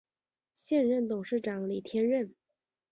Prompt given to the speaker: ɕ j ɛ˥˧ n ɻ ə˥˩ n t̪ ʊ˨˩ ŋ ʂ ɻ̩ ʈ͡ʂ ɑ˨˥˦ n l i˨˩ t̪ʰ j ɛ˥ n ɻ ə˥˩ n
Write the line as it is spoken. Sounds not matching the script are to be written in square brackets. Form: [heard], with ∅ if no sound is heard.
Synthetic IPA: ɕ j ɛ˥˧ n ɻ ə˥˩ n t̪ ʊ˨˩ ŋ ʂ ɻ̩ ʈ͡ʂ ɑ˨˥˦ [ŋ] l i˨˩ t̪ʰ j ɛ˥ n ɻ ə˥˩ n